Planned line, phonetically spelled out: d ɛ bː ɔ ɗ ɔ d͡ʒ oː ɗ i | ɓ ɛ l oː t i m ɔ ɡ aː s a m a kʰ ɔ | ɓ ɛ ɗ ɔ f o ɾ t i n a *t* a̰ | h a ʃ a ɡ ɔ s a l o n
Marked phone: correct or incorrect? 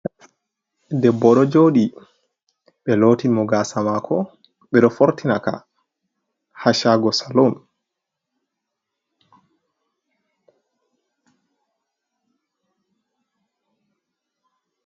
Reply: incorrect